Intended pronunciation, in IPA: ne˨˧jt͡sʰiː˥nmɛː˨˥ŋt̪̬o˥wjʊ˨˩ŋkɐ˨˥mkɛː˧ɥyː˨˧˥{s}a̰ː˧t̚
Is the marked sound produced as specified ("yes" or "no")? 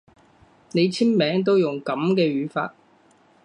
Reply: no